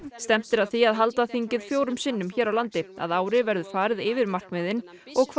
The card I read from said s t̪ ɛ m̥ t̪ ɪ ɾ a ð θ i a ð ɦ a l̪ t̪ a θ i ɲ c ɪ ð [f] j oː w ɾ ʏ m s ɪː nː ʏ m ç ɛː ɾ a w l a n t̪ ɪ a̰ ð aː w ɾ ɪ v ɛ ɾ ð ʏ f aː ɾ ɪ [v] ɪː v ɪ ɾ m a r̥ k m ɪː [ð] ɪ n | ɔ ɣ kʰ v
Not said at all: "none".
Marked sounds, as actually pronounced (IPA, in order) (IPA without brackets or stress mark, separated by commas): f, ð, ð